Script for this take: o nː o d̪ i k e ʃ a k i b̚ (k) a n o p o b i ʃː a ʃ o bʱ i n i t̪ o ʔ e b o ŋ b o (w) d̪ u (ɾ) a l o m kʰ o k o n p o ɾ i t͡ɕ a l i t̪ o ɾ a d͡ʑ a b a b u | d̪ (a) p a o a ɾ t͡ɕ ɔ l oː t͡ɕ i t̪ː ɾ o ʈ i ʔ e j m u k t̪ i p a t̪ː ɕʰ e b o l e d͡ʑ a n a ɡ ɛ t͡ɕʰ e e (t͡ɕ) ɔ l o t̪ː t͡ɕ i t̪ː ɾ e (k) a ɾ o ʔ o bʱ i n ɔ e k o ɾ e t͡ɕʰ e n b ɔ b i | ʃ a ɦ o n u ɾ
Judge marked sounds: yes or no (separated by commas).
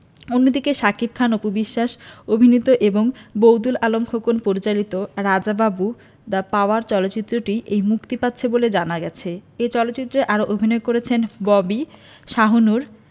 no, yes, no, yes, yes, no